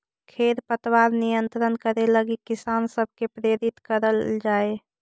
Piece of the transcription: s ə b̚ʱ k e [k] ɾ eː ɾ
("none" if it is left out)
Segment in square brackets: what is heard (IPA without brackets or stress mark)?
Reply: p